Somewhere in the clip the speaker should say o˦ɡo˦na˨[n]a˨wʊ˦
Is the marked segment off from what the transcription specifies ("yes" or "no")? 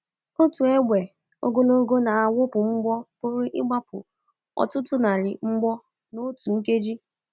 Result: yes